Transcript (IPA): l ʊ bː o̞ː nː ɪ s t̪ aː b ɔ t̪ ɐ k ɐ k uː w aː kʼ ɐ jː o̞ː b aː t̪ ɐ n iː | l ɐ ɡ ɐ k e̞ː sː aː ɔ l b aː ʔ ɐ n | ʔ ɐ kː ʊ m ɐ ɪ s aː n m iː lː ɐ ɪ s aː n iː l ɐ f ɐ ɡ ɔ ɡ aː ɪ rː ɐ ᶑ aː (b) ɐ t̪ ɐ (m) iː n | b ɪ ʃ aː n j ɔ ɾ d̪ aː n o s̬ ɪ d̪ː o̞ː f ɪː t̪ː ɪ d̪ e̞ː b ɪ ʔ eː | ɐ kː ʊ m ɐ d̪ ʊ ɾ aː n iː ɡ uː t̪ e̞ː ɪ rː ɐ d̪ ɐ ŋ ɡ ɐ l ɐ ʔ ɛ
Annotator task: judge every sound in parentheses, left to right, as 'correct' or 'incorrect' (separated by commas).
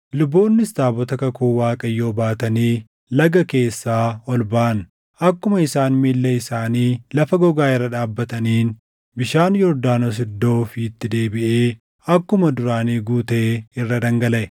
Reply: incorrect, incorrect